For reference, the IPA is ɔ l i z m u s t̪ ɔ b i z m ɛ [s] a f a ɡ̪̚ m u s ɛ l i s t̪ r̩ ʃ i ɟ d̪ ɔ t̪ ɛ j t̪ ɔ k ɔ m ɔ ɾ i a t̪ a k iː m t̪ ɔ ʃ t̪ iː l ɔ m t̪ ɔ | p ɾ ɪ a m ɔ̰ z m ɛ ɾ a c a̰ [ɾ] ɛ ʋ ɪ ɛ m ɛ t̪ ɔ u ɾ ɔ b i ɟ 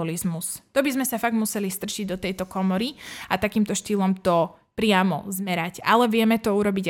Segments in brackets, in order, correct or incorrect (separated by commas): correct, incorrect